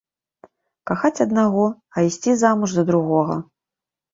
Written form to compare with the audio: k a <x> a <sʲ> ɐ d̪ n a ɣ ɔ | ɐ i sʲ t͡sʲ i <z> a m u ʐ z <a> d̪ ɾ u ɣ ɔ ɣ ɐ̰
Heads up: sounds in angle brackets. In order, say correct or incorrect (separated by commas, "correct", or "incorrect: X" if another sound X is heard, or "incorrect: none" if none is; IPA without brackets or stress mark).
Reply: correct, incorrect: t͡sʲ, correct, incorrect: ɐ